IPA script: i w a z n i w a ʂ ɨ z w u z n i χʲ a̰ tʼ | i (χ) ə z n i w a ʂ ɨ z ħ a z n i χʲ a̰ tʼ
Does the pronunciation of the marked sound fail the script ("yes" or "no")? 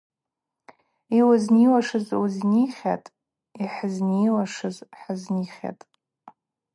yes